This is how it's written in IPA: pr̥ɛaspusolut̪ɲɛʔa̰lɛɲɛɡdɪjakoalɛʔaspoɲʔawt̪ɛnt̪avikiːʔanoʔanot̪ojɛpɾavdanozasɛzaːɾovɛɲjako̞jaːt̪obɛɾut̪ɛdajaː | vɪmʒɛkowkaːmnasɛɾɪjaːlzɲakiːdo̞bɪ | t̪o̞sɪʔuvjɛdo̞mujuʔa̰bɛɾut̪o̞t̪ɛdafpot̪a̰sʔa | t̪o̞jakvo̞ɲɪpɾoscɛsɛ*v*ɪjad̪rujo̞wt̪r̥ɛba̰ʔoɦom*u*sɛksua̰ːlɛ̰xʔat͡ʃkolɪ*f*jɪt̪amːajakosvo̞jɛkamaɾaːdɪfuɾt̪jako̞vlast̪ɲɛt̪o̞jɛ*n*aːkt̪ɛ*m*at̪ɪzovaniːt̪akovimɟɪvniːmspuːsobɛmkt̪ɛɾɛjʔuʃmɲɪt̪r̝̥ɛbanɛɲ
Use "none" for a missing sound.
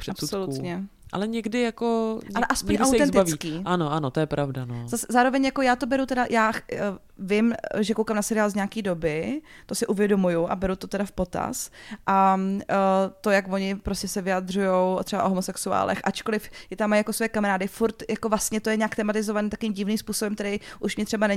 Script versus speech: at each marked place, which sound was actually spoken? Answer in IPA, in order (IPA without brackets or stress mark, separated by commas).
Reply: v, o, f, ɲ, m